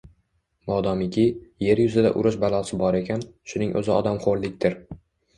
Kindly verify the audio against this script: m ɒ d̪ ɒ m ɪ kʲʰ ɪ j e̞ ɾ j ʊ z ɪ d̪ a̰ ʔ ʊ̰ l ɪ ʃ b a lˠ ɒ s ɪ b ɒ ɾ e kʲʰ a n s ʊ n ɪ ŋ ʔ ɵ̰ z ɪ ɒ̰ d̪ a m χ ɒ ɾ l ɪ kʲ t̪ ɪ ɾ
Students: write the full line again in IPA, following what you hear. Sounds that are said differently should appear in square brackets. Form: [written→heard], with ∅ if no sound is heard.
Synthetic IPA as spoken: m ɒ d̪ ɒ m ɪ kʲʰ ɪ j e̞ ɾ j ʊ z ɪ d̪ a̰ ʔ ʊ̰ [l→ɾ] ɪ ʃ b a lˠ ɒ s ɪ b ɒ ɾ e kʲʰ a n [s→ʃ] ʊ n ɪ ŋ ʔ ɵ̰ z ɪ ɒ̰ d̪ a m χ [ɒ→o] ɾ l ɪ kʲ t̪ ɪ ɾ